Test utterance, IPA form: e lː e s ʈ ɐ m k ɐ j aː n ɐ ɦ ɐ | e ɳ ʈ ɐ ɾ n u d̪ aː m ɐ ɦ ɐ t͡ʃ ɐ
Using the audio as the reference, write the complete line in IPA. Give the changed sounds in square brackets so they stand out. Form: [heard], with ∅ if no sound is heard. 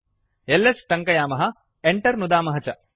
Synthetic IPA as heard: e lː e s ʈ ɐ [ŋ] k ɐ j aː [m] ɐ ɦ ɐ | e ɳ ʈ ɐ ɾ n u d̪ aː m ɐ ɦ ɐ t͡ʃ ɐ